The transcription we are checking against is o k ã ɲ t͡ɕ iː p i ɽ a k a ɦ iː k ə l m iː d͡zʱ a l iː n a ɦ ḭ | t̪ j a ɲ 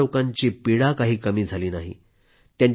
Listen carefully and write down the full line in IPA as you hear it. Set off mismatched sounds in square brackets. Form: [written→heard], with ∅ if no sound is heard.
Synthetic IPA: o k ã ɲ t͡ɕ iː p i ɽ a k a ɦ iː k ə [l→∅] m iː d͡zʱ a l iː n a ɦ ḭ | t̪ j a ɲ